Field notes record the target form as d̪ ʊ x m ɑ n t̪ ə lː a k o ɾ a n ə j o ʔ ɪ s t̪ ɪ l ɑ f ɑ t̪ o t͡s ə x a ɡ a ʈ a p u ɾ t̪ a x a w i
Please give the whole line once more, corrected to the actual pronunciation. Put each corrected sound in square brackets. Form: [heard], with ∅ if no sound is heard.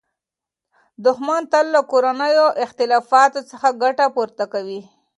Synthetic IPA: d̪ ʊ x m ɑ n t̪ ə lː a k o ɾ a n ə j o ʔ ɪ [x] t̪ ɪ l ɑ f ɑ t̪ o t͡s ə x a ɡ a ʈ a p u ɾ t̪ a [k] a w i